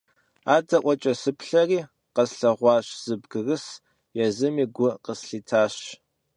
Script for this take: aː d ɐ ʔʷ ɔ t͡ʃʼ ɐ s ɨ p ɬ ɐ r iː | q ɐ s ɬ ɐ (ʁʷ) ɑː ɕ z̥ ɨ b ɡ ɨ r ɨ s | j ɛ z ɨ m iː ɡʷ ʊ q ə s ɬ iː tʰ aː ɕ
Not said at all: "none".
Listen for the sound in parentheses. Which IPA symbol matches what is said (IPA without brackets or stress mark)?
ʁʷ